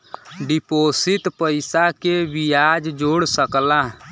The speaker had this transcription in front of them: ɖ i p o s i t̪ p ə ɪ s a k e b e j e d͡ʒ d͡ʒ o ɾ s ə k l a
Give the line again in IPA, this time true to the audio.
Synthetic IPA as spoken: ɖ i p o s i t̪ p ə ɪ s a k e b i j a d͡ʒ d͡ʒ o ɽ s ə k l a